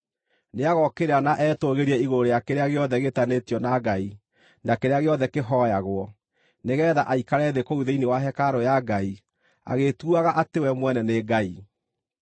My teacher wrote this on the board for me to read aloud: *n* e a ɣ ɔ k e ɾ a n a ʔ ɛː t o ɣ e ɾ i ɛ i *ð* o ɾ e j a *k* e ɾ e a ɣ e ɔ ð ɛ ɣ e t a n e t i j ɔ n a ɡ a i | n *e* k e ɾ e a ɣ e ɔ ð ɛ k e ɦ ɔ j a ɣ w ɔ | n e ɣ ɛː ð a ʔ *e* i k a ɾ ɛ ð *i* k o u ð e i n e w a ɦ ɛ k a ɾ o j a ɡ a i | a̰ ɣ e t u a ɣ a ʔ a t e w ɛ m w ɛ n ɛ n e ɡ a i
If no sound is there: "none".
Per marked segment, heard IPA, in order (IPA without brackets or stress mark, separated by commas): n, ɣ, k, a, a, e